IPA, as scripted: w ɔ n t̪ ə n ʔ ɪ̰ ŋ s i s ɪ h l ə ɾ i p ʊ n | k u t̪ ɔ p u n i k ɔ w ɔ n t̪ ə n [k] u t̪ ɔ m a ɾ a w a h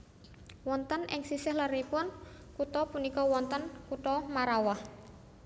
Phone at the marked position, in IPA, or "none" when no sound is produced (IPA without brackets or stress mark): k